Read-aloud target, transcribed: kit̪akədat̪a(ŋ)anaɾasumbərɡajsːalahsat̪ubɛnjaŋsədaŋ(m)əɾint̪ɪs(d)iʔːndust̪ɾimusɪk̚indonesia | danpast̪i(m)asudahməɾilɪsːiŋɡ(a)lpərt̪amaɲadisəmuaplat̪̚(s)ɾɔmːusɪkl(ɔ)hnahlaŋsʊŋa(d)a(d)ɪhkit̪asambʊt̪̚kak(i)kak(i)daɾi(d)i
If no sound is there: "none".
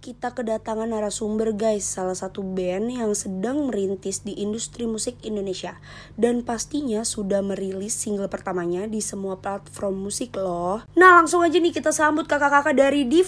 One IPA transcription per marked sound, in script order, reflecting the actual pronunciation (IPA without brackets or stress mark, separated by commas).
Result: ŋ, m, d, ɲ, ə, f, ɔ, d͡ʒ, n, a, a, d